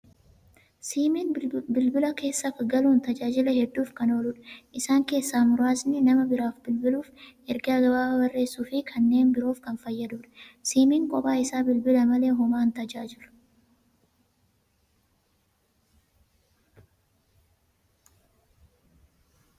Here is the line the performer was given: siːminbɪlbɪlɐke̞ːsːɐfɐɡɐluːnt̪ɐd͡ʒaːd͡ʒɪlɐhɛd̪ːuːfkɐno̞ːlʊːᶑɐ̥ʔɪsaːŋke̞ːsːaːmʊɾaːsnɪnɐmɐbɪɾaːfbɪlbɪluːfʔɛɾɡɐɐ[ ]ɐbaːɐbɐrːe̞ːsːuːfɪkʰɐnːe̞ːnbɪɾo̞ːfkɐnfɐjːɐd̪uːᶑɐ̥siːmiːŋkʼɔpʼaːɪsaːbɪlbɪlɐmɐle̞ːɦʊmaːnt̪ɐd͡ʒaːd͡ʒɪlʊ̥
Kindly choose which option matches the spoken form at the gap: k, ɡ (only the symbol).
ɡ